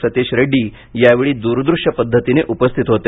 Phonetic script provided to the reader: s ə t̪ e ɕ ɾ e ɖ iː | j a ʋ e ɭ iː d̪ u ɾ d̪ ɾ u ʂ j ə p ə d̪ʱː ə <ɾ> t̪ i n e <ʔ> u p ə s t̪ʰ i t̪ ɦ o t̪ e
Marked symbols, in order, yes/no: no, yes

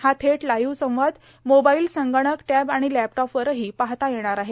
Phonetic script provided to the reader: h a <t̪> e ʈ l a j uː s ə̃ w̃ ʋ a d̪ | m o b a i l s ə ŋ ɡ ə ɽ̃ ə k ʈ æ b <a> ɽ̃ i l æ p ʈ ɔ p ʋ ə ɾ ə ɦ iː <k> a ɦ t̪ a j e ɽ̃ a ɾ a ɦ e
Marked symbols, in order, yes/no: no, yes, no

